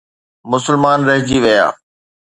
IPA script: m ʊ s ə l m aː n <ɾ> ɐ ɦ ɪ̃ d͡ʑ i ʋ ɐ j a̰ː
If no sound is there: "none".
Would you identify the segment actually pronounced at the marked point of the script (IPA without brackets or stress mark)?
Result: ɾ